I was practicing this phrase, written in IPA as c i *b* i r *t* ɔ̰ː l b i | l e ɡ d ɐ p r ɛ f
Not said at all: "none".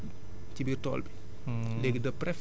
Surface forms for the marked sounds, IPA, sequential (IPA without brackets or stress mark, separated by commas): b, t